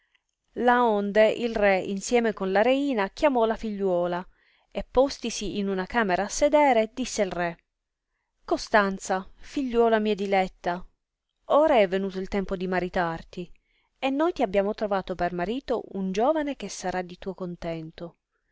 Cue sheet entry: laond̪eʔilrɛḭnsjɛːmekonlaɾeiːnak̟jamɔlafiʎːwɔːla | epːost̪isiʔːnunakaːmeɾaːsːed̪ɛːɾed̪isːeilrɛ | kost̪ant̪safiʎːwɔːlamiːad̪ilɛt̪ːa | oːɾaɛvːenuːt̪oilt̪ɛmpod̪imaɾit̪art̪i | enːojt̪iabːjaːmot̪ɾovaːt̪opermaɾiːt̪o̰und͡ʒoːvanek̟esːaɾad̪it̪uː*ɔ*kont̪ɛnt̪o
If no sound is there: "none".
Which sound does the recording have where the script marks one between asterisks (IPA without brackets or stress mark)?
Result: o